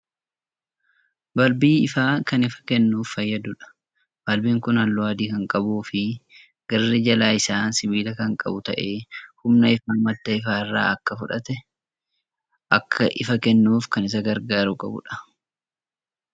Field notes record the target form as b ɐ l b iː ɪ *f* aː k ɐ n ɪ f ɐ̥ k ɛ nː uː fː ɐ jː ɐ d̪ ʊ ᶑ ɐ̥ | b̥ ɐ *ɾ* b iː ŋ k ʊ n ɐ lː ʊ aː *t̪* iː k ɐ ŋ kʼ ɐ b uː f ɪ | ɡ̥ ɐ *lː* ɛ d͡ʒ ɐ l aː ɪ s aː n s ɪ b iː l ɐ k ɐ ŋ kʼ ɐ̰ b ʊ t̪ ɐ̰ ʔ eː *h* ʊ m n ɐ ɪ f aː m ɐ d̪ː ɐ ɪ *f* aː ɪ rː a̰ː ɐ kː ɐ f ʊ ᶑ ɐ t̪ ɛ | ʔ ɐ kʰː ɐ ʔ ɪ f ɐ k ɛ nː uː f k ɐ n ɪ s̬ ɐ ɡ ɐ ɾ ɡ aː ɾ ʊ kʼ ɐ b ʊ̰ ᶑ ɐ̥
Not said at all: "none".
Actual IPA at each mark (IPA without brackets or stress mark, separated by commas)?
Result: f, l, d̪, rː, h, f